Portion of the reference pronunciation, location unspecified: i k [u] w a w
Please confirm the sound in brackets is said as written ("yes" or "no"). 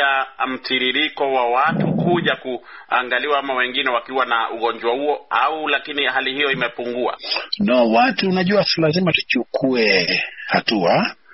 no